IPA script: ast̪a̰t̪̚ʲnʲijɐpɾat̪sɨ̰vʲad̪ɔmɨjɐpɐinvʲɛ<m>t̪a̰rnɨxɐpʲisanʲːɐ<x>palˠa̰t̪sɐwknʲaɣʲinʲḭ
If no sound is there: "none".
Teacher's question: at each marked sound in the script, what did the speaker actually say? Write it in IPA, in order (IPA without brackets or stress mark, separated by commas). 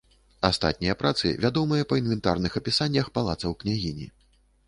n, x